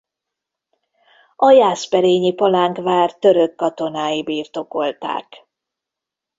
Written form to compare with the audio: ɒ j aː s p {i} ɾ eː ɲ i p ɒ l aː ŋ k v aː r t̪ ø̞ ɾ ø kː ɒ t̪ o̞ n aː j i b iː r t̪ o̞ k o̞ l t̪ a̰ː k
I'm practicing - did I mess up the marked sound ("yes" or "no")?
yes